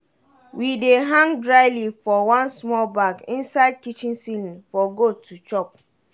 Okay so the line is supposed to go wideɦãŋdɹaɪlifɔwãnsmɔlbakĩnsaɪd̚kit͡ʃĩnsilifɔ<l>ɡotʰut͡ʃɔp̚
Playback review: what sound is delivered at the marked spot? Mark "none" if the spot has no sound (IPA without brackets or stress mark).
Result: none